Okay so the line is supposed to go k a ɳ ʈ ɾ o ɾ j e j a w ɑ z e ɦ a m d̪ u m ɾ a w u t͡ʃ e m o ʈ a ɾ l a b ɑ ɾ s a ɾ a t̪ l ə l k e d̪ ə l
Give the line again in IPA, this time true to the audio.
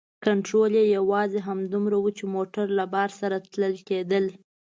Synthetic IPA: k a ɳ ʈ ɾ o l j e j a w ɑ z e ɦ a m d̪ u m ɾ a w u t͡ʃ e m o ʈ a ɾ l a b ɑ ɾ s a ɾ a t̪ l ə l k e d̪ ə l